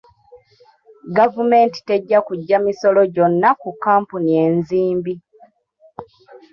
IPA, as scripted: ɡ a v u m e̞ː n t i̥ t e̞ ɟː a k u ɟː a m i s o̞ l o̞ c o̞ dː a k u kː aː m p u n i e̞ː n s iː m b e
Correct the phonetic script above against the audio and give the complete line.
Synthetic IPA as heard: ɡ a v u m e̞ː n t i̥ t e̞ ɟː a k u ɟː a m i s o̞ l o̞ ɟ o̞ nː a k u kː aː m p u n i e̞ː n z iː m b i